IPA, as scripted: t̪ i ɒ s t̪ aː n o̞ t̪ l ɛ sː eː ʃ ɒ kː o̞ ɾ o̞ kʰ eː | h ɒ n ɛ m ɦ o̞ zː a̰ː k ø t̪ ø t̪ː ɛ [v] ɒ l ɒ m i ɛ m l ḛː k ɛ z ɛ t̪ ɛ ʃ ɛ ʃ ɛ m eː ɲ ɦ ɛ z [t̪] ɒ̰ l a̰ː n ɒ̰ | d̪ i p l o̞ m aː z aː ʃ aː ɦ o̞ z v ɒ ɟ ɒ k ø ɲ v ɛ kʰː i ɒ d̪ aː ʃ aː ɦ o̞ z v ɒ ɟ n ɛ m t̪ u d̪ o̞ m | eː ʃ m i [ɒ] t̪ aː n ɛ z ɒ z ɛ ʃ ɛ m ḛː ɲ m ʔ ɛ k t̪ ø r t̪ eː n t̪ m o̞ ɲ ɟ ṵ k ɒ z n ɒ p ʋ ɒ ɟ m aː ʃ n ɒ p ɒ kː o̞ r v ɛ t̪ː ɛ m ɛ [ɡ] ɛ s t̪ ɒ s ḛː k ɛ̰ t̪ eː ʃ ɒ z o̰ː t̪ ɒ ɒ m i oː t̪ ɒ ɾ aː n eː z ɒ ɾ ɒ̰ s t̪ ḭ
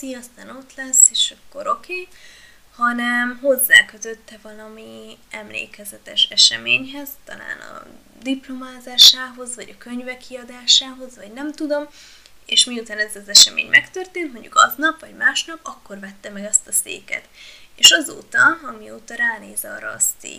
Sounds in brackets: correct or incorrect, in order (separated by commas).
correct, correct, incorrect, correct